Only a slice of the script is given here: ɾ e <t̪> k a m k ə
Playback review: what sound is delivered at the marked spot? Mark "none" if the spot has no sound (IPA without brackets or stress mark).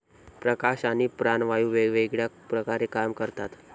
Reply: none